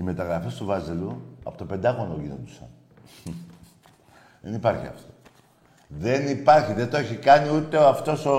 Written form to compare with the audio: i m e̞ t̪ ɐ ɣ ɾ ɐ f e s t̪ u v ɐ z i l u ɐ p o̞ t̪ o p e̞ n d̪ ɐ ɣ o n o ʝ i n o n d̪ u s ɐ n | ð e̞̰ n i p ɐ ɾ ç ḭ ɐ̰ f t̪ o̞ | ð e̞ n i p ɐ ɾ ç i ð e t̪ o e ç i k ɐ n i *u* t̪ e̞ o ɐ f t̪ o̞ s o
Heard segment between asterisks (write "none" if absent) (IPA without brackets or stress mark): u